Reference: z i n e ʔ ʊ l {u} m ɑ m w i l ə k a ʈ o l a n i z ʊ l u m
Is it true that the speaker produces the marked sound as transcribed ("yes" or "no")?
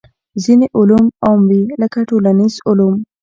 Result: yes